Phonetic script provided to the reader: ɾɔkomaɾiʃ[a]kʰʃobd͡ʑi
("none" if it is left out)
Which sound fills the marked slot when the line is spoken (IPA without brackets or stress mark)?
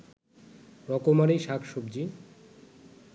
a